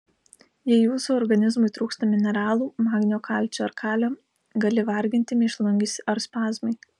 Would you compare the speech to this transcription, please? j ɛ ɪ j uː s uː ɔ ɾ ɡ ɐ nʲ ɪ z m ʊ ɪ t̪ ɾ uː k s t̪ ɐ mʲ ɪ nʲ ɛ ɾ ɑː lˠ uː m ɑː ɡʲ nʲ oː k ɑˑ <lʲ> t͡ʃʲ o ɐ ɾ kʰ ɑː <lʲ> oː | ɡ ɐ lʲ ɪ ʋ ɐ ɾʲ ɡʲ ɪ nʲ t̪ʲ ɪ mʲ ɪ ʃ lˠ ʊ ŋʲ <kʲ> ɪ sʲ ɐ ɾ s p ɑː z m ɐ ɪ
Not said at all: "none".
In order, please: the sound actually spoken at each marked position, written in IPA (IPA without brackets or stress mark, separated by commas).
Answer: lʲ, lʲ, ɡʲ